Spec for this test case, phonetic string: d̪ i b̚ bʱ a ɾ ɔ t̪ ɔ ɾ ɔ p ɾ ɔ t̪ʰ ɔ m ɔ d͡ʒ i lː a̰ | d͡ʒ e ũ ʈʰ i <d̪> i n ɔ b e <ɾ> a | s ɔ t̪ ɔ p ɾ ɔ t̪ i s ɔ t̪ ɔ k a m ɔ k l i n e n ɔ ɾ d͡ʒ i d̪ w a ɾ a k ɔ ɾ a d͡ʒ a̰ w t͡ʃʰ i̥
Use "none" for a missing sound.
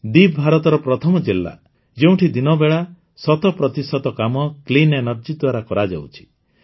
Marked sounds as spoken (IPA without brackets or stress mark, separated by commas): d̪, ɭ